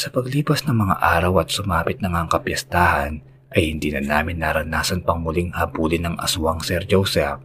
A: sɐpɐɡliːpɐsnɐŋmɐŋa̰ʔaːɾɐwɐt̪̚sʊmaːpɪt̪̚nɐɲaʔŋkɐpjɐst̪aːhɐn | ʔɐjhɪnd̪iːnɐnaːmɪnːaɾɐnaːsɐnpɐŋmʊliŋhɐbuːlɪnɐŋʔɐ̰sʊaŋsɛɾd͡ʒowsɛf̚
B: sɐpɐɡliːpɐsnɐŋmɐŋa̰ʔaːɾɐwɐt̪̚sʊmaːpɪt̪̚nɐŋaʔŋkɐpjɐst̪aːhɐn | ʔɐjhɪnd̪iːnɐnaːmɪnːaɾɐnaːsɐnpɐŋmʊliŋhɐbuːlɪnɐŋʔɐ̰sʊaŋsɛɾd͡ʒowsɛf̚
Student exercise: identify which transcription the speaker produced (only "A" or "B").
B